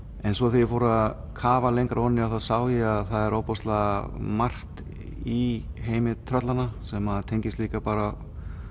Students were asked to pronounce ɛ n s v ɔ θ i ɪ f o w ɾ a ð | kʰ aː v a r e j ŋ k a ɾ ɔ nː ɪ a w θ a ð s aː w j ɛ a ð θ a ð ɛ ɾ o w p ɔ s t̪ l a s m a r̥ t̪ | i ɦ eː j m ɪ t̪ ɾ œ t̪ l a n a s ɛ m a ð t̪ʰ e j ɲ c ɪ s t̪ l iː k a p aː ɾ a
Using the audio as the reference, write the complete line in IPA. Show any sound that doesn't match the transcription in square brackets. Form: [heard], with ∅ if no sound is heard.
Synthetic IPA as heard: ɛ n s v ɔ θ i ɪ f o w ɾ a ð | kʰ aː v a [l] e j ŋ k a ɾ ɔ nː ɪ a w θ a ð s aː w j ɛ a ð θ a ð ɛ ɾ o w p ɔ s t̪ l a [∅] m a r̥ t̪ | i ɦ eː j m ɪ [t̪ʰ] ɾ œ t̪ l a n a s ɛ m a ð t̪ʰ e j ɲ c ɪ s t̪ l iː k a p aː ɾ a